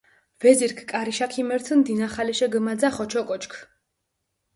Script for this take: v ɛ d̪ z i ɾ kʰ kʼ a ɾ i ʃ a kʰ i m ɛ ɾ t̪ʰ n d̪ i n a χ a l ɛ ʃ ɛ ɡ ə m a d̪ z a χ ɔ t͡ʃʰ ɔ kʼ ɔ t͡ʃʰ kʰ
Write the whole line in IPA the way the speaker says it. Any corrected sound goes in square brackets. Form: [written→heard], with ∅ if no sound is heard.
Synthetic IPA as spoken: v ɛ [d̪→∅] z i ɾ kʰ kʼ a ɾ i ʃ a kʰ i m ɛ ɾ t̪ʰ n d̪ i n a χ a l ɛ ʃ ɛ ɡ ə m a d̪ z a χ ɔ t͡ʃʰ ɔ kʼ ɔ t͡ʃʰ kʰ

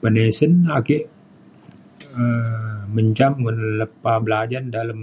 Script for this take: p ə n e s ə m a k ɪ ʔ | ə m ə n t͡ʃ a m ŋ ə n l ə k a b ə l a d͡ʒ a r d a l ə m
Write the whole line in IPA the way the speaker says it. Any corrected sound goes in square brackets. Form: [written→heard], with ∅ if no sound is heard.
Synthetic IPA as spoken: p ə n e s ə [m→n] a k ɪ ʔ | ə m ə [n→ɲ] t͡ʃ a m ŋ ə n l ə [k→p] a b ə l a d͡ʒ a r d a l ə m

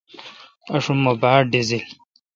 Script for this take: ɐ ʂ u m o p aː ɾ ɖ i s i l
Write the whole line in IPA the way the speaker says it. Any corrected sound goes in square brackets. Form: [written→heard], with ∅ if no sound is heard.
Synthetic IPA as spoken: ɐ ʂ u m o [p→b] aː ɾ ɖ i [s→z] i l

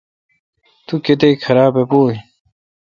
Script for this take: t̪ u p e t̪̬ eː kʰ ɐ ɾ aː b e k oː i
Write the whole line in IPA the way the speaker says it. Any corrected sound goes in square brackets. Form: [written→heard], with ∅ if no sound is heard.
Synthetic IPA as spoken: t̪ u [p→k] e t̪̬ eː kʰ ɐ ɾ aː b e [k→p] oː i

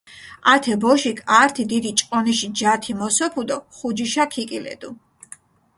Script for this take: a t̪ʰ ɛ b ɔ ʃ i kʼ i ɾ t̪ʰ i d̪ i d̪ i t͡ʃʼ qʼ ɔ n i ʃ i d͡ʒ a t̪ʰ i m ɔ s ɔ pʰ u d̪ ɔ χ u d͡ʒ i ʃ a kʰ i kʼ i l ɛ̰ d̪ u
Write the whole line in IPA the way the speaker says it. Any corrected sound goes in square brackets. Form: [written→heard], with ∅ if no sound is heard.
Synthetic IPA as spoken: a t̪ʰ ɛ b ɔ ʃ i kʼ [i→a] ɾ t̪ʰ i d̪ i d̪ i t͡ʃʼ qʼ ɔ n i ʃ i d͡ʒ a t̪ʰ i m ɔ s ɔ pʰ u d̪ ɔ χ u d͡ʒ i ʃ a kʰ i kʼ i l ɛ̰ d̪ u

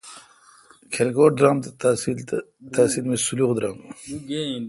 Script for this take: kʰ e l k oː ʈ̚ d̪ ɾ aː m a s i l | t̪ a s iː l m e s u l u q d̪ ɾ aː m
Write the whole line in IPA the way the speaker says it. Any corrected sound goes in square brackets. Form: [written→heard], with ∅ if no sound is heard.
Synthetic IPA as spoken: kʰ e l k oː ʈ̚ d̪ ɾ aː m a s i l | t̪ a s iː l m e s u l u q d̪ ɾ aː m

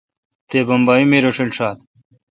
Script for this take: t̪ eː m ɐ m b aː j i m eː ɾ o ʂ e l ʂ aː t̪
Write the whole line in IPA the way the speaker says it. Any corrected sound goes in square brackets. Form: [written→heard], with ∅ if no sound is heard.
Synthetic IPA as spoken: t̪ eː [m→b] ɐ m b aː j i m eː ɾ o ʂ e l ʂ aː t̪

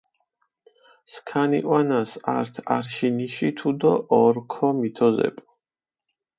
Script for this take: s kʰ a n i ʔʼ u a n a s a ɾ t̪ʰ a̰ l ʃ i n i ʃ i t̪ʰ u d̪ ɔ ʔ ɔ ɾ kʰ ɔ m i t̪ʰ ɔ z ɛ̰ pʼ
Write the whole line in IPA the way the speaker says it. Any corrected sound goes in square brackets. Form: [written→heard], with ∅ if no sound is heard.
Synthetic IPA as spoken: s kʰ a n i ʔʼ [u→w] a n a s a ɾ t̪ʰ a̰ [l→ɾ] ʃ i n i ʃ i t̪ʰ u d̪ ɔ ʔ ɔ ɾ kʰ ɔ m i t̪ʰ ɔ z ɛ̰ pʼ

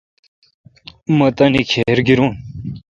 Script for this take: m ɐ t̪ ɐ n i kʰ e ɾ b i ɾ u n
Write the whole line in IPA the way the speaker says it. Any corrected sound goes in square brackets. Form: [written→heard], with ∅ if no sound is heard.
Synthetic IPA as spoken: m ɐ t̪ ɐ n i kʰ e ɾ [b→ɡ] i ɾ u n

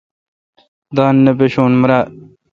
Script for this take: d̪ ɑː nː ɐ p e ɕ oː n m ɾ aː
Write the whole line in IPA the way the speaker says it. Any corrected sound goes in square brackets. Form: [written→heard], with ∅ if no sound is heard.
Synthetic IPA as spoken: d̪ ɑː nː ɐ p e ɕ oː n m ɾ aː

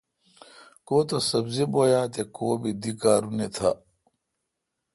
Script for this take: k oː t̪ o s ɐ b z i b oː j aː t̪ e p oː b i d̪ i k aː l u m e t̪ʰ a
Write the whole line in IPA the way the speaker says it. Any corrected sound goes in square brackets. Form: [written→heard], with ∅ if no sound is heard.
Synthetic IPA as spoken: k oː t̪ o s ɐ b z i b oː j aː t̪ e [p→k] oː b i d̪ i k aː [l→ɾ] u [m→n] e t̪ʰ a

